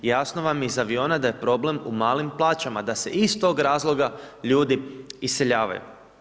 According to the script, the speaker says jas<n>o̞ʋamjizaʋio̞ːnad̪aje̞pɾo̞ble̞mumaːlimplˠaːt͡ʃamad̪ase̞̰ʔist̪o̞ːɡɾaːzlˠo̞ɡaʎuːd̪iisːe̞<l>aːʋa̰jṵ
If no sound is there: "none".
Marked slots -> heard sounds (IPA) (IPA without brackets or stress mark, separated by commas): n, ʎ